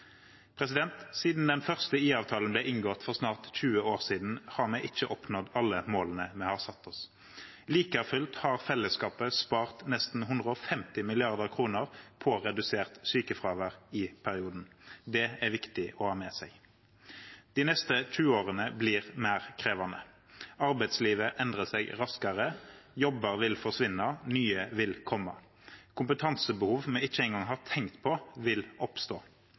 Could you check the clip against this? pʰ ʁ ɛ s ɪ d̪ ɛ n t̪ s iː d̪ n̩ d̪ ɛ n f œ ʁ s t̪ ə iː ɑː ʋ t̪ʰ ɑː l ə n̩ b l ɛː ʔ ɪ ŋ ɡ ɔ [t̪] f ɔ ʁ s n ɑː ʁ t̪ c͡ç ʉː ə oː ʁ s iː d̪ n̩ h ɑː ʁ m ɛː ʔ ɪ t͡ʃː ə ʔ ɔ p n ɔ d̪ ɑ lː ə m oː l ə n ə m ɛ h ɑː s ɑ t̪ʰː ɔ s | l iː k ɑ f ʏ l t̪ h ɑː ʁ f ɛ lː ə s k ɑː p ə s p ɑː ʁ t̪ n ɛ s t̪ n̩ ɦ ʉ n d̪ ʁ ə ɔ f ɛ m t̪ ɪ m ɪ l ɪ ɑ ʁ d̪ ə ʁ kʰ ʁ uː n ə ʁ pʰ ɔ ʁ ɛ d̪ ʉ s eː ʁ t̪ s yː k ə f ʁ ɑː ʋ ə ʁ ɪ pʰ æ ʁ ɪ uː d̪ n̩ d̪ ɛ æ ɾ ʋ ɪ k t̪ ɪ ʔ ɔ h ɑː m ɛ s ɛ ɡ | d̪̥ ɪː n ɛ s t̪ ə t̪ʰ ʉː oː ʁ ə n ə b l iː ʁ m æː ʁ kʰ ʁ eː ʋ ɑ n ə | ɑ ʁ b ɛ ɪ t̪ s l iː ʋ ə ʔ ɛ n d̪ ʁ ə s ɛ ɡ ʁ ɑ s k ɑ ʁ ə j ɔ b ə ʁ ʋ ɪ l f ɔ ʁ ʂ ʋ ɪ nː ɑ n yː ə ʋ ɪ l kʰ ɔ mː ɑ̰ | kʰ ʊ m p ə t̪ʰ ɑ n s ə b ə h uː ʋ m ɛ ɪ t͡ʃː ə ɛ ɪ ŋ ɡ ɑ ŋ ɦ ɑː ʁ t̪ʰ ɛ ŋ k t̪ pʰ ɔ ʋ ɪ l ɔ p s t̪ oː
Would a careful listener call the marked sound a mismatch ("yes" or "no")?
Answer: no